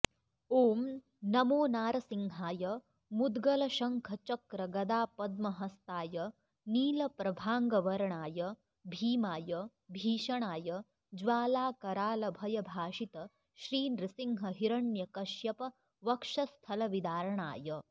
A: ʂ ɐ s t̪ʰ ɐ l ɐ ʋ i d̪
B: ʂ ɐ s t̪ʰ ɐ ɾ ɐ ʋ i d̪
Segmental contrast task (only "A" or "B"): A